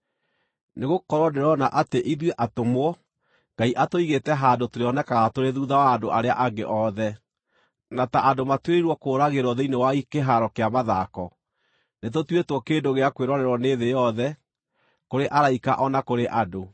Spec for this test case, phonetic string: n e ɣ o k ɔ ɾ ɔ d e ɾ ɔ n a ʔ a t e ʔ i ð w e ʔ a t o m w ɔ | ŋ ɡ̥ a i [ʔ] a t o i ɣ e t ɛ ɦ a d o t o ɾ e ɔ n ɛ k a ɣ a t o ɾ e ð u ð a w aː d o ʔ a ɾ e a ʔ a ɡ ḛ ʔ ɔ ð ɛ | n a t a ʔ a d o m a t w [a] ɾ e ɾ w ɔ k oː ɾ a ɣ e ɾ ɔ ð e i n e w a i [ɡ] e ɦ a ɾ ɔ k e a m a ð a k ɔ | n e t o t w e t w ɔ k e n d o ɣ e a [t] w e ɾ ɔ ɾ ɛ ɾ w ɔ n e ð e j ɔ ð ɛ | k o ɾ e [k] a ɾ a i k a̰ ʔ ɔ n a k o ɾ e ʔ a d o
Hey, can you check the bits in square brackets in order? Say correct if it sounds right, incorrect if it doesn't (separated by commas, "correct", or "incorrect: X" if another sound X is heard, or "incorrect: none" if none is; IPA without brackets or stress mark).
correct, incorrect: e, incorrect: k, incorrect: k, incorrect: ʔ